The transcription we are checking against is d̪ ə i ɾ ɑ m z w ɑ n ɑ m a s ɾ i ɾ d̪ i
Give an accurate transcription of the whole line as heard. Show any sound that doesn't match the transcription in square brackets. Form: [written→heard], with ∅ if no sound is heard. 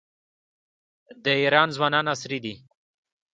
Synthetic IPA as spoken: d̪ ə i ɾ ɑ [m→n] z w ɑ n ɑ [m→n] a s ɾ i [ɾ→∅] d̪ i